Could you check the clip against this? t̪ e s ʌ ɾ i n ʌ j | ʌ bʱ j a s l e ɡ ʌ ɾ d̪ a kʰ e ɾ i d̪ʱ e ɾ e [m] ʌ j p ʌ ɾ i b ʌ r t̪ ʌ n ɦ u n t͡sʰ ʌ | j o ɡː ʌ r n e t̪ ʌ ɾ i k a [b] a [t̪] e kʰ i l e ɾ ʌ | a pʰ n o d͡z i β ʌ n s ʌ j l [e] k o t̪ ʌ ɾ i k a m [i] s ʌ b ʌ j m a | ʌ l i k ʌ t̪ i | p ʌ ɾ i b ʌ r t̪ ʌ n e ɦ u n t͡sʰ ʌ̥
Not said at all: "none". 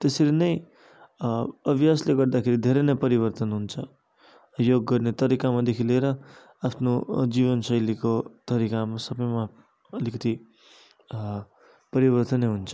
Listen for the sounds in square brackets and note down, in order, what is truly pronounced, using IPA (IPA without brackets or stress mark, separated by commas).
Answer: n, m, d̪, i, a